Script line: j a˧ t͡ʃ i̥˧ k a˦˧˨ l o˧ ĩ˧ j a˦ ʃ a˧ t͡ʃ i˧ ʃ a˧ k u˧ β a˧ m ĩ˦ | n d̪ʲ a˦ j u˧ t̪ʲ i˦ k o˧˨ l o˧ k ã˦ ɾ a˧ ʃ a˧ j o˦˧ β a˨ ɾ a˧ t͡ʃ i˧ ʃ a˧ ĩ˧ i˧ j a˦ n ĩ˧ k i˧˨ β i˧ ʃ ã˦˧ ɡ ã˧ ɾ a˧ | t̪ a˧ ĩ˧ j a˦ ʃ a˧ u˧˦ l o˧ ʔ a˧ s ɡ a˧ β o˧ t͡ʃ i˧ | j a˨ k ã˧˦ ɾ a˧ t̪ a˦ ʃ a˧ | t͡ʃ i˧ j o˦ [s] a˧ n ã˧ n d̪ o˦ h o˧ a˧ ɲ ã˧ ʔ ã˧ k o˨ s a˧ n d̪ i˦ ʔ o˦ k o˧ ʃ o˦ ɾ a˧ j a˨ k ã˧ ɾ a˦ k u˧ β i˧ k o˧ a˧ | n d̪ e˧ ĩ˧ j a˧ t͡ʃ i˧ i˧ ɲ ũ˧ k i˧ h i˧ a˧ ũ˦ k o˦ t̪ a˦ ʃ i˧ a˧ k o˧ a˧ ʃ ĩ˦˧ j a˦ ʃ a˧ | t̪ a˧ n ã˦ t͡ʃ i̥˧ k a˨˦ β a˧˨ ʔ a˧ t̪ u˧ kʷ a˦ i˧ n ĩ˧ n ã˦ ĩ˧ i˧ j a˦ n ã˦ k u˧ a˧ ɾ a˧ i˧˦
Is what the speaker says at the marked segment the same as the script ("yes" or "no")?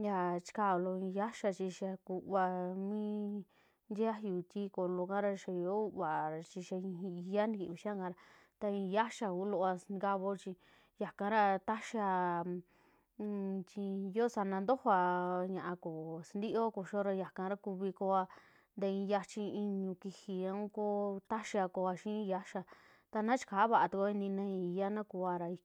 yes